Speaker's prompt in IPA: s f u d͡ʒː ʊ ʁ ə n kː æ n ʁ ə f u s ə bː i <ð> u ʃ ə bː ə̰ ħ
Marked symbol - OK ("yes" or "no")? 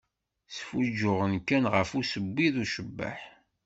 yes